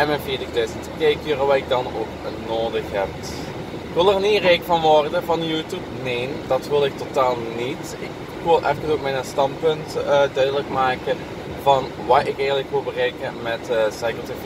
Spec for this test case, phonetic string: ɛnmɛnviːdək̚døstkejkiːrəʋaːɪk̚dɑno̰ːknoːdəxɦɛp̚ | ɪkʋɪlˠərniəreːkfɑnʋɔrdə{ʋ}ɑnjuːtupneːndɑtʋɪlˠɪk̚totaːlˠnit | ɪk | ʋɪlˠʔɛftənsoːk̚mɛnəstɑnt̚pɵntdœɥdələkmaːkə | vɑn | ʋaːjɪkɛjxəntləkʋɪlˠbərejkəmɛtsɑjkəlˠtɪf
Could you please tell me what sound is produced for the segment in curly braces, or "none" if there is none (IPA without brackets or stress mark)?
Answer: v